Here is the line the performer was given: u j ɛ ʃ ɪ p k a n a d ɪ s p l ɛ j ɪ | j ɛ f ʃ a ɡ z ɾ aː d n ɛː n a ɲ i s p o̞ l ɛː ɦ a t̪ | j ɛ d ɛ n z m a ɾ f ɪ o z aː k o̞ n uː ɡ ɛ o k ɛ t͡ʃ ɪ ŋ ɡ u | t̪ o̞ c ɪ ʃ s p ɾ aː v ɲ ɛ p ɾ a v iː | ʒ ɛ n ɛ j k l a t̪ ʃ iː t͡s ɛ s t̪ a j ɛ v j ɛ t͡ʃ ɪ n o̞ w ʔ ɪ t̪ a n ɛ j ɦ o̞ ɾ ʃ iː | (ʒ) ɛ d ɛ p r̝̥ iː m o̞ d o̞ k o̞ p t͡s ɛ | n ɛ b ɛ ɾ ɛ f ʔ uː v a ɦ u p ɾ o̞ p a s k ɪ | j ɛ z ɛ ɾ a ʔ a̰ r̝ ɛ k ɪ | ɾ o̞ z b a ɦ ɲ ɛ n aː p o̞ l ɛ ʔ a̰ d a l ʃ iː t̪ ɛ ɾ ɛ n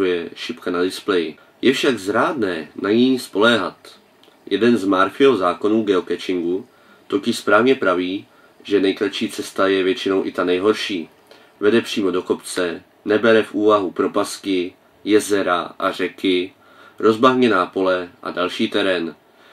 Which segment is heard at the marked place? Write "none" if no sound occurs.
v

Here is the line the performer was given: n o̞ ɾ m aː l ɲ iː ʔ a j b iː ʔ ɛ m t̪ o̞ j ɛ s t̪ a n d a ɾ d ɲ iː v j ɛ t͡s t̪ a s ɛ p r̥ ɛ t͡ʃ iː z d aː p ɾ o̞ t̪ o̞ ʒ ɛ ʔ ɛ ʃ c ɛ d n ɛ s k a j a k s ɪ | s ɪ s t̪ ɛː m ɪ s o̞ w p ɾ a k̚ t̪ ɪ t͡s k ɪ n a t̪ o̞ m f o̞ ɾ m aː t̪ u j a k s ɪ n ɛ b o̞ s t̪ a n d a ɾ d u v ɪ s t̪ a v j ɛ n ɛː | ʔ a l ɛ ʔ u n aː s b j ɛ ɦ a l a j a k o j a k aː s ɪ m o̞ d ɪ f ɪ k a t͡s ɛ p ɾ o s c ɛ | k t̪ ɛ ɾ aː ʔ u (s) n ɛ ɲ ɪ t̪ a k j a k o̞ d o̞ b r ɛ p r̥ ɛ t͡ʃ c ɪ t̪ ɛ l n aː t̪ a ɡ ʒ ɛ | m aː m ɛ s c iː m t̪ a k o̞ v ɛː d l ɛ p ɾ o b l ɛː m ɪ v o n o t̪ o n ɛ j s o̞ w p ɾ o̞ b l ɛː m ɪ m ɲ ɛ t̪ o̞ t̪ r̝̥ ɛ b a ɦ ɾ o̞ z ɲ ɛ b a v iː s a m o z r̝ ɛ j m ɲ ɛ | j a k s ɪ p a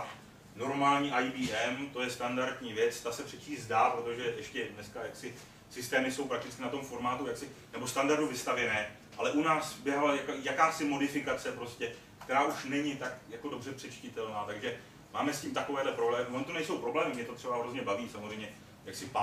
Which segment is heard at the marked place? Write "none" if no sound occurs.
ʃ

